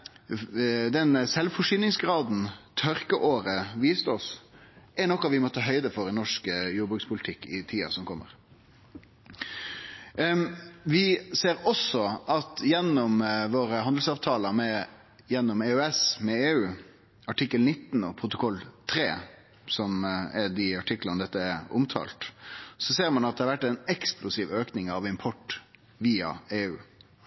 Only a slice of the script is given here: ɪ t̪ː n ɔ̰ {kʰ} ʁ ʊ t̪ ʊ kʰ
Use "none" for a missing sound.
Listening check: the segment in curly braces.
pʰ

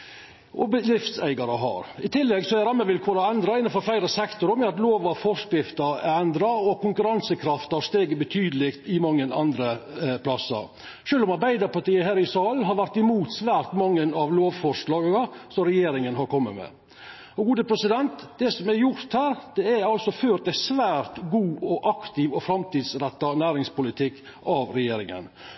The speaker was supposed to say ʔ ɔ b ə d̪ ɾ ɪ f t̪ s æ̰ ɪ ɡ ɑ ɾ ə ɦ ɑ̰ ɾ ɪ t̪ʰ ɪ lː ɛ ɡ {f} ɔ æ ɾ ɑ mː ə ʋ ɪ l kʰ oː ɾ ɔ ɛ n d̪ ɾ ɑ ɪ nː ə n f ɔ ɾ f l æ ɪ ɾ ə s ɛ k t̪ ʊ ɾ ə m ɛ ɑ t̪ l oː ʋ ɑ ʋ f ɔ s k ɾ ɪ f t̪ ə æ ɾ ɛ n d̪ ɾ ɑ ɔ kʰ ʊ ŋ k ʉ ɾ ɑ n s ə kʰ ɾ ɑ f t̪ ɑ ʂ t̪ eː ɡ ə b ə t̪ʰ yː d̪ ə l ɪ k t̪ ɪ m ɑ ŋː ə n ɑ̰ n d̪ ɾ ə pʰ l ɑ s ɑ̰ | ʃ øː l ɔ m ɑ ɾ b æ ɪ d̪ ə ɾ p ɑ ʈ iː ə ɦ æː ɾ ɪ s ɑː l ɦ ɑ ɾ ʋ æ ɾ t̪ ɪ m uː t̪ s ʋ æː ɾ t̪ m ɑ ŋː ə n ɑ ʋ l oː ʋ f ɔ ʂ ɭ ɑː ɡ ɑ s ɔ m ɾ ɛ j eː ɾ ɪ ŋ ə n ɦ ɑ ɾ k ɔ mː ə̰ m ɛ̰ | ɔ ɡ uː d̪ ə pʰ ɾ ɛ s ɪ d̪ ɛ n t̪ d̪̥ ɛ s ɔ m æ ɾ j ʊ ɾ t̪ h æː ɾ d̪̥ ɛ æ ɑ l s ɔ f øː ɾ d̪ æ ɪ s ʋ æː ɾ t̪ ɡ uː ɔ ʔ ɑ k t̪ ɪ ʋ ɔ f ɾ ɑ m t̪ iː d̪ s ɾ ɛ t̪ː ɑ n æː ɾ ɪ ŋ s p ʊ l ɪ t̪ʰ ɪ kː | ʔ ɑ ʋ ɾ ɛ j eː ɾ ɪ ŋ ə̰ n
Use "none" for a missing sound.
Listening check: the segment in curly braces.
s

